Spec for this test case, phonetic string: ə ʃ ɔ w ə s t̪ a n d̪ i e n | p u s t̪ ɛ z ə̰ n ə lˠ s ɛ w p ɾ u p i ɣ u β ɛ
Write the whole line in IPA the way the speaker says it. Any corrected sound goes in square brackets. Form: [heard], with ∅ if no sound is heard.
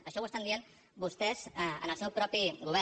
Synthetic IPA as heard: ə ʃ ɔ w ə s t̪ a n d̪ i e n | [b] u s t̪ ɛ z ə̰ n ə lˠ s ɛ w p ɾ [ɔ] p i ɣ u β ɛ